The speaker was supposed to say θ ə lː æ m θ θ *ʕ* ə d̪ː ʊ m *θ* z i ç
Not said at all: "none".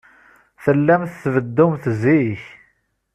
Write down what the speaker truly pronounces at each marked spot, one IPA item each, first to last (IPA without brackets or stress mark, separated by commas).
v, θ